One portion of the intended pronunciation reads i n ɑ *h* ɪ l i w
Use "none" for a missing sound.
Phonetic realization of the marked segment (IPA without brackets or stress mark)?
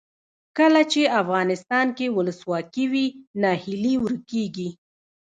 h